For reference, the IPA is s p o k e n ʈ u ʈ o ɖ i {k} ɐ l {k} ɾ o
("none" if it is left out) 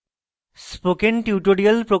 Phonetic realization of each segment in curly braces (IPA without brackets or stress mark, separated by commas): none, p